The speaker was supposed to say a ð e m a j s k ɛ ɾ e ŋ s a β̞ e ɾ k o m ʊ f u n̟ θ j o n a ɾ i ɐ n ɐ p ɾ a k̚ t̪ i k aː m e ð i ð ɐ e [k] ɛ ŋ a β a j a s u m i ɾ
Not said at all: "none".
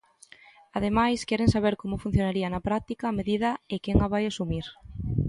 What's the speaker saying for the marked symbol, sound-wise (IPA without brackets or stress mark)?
k